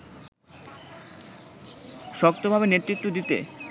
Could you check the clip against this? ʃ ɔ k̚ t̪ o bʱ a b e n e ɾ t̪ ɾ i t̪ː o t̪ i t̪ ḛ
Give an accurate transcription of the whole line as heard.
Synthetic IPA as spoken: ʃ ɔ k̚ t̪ o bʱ a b e n e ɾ t̪ ɾ i t̪ː o d̪ i t̪ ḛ